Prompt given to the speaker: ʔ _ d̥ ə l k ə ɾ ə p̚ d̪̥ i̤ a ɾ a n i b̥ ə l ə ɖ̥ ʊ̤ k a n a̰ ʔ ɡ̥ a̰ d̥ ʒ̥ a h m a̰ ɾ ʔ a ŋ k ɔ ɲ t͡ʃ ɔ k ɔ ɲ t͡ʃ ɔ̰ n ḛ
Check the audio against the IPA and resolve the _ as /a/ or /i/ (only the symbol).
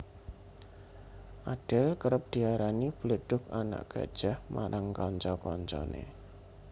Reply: a